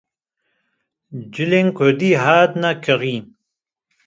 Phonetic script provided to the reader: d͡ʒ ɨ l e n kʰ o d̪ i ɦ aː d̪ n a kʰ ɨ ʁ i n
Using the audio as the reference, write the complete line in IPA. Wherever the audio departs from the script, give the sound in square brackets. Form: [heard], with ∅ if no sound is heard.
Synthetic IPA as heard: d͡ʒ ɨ l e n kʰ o d̪ i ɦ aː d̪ n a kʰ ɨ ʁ i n